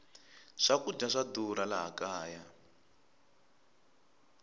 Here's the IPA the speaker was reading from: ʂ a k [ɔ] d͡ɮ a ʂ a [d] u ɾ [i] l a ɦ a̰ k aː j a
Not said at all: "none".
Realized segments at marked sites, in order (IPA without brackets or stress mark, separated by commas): u, d, a